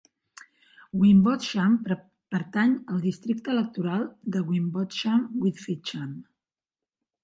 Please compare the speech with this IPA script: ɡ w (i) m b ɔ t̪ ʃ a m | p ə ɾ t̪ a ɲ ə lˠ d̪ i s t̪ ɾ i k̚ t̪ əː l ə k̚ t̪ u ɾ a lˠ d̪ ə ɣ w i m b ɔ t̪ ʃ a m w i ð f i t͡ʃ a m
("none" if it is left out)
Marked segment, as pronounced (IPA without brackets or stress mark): i